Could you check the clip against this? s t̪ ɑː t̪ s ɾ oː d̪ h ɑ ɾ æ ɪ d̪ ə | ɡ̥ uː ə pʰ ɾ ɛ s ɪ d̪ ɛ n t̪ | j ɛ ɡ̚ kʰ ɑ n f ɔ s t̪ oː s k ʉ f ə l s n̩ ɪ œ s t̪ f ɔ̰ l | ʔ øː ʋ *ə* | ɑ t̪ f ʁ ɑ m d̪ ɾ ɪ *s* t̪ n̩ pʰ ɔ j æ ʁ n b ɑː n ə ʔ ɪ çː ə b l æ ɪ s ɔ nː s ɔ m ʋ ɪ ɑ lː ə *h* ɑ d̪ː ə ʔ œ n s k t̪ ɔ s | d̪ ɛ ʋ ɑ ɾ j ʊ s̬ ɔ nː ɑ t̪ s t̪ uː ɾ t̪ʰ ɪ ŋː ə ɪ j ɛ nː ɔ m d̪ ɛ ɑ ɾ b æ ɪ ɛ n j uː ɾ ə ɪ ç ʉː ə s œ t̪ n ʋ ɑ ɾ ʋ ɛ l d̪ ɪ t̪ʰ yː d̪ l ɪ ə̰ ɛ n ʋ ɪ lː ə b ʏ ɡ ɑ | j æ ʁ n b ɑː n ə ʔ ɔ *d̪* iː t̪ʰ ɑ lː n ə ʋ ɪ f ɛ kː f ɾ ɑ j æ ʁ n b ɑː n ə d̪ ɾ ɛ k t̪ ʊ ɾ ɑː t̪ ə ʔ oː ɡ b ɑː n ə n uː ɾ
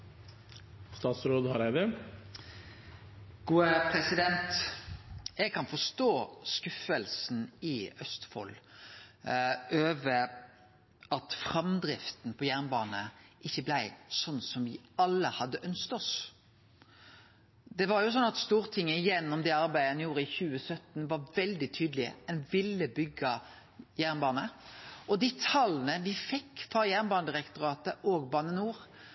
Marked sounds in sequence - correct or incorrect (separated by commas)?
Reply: correct, incorrect, correct, correct